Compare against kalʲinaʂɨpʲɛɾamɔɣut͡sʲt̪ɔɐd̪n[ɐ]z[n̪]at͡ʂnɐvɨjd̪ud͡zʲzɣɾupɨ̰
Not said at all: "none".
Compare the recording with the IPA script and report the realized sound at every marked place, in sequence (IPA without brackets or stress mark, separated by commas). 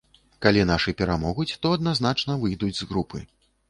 a, n̪